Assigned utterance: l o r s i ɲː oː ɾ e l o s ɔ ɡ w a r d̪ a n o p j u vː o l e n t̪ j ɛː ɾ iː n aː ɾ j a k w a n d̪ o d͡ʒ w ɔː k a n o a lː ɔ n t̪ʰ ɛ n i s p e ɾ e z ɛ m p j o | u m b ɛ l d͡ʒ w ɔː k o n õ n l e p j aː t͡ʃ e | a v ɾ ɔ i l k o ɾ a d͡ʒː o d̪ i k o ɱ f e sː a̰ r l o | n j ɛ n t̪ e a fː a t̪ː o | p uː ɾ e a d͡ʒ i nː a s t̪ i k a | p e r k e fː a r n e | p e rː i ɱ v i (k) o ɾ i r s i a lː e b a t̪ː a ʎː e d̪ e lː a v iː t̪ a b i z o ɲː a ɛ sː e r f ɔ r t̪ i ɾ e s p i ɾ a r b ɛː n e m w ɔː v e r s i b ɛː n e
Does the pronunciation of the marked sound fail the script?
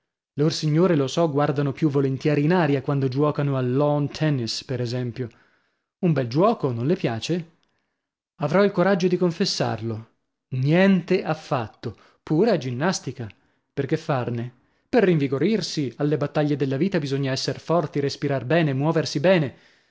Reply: yes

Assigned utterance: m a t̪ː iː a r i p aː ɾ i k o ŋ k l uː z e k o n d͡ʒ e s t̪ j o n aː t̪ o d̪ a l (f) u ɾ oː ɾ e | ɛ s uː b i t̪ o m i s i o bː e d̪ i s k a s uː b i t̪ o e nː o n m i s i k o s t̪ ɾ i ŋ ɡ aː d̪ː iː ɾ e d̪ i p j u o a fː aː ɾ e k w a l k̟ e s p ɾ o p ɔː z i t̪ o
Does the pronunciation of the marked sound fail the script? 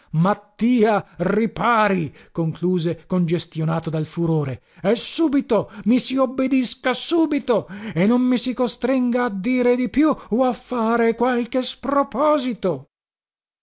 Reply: no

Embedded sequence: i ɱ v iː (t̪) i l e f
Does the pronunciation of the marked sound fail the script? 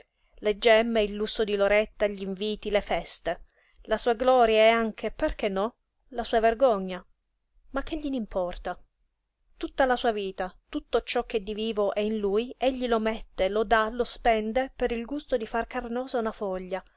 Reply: no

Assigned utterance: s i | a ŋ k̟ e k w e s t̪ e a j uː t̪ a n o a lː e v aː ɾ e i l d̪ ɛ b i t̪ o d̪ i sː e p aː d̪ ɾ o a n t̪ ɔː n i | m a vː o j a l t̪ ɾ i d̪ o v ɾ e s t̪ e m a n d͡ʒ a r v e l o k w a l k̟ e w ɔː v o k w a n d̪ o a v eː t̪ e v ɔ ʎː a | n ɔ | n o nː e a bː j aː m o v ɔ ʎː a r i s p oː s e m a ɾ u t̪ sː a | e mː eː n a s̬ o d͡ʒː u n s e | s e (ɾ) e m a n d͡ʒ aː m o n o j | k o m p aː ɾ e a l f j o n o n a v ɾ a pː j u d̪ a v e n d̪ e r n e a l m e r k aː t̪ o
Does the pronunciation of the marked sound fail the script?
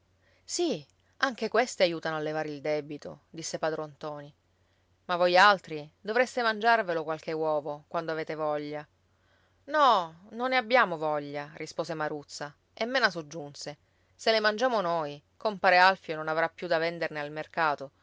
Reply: yes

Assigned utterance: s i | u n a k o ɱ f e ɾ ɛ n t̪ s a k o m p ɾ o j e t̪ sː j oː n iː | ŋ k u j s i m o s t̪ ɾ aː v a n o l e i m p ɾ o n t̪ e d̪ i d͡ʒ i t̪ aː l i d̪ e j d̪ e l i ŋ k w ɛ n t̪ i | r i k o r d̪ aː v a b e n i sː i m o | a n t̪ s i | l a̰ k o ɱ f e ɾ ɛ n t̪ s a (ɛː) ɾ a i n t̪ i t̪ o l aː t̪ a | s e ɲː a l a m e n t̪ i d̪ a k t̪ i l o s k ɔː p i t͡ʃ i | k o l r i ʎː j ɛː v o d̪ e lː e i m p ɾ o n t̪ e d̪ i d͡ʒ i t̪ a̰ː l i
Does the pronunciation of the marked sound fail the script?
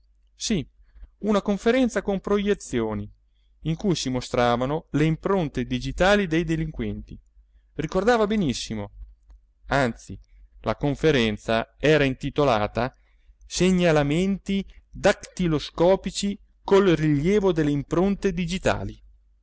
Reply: no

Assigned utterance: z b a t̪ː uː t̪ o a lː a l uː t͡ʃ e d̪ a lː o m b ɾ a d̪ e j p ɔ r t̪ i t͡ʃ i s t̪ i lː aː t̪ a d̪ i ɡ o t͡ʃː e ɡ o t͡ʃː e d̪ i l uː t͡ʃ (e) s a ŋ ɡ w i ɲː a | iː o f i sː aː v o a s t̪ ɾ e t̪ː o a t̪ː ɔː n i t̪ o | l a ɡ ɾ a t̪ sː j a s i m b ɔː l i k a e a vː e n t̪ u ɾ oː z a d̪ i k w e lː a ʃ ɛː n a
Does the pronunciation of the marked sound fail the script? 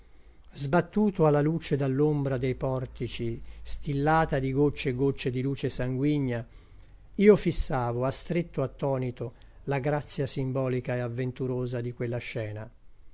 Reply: no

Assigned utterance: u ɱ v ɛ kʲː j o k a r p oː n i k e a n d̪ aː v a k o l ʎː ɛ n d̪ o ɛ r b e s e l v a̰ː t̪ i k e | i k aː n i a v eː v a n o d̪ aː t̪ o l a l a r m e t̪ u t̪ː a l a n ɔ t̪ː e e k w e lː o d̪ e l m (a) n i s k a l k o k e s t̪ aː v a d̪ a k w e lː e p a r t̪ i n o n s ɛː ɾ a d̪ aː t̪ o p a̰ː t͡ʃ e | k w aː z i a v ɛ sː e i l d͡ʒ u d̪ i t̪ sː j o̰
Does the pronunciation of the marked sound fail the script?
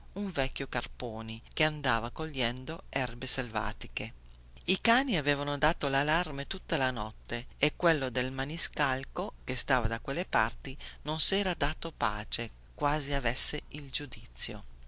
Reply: no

